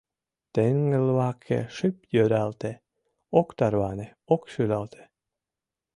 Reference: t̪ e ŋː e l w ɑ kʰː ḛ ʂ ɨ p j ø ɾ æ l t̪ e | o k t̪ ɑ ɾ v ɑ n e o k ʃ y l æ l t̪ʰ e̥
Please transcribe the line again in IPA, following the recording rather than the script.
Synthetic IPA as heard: t̪ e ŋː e l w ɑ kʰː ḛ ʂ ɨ p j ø ɾ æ l t̪ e | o k t̪ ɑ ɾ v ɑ n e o k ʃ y l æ l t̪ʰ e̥